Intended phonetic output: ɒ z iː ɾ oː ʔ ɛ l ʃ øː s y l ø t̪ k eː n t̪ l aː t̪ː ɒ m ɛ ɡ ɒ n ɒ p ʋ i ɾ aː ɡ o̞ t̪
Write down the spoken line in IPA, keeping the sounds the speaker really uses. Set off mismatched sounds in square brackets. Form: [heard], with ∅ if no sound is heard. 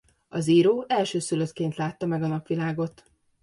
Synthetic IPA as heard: ɒ z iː ɾ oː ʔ ɛ l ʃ øː s y l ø t̪ k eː n t̪ l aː t̪ː ɒ m ɛ ɡ ɒ n ɒ p ʋ i [l] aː ɡ o̞ t̪